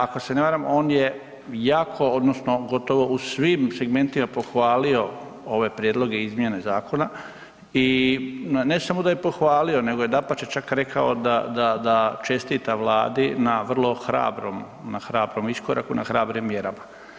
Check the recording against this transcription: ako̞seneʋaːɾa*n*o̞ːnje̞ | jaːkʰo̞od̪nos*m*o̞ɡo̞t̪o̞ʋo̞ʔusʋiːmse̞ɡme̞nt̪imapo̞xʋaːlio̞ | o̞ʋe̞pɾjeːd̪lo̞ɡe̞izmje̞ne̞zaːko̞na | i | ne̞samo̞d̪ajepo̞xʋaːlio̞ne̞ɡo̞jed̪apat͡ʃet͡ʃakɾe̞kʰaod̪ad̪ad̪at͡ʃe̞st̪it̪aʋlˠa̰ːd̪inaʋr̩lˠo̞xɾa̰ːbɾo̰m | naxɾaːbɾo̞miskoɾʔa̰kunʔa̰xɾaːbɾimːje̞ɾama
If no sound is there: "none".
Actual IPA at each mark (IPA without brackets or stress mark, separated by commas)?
m, n